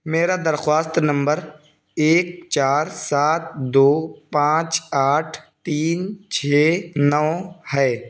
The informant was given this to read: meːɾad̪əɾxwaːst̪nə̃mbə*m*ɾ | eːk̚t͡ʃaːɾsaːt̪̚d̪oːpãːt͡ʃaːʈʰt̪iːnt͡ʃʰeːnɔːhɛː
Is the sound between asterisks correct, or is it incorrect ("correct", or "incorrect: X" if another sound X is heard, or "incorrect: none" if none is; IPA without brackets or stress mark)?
incorrect: none